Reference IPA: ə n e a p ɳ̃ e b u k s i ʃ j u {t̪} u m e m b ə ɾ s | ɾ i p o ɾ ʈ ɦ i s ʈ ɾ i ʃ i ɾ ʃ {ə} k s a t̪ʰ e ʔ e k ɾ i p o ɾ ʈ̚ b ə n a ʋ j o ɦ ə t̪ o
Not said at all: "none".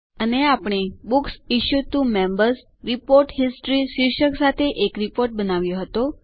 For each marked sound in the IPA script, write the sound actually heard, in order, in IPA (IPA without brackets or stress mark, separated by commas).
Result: t̪, ə